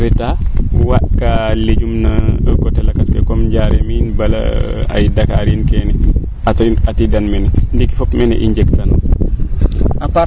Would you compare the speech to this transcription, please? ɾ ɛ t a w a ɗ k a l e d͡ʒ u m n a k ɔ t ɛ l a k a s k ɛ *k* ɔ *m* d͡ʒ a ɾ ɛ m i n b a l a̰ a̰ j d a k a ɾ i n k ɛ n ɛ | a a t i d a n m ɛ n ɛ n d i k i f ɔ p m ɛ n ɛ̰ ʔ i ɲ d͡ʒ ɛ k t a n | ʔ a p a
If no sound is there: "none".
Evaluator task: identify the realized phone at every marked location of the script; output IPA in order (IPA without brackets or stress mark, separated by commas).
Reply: k, m